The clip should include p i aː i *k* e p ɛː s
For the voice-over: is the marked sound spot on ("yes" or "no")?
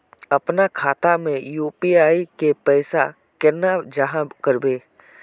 yes